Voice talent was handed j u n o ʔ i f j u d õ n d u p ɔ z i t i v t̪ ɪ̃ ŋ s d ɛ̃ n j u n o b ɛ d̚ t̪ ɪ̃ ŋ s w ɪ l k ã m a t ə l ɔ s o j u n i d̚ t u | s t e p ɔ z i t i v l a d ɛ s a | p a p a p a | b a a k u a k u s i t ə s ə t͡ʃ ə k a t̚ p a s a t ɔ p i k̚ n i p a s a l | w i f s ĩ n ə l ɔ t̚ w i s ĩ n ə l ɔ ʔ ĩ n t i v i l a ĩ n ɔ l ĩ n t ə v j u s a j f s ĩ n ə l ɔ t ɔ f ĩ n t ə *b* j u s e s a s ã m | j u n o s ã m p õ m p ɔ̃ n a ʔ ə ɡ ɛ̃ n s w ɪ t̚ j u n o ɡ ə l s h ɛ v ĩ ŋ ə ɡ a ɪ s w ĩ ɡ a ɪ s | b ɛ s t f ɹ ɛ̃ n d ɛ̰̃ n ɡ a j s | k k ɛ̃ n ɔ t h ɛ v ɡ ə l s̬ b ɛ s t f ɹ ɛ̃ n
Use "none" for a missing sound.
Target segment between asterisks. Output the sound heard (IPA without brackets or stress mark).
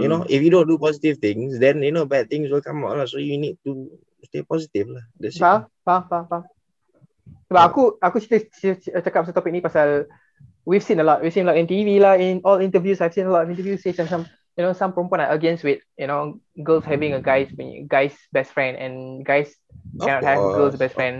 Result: v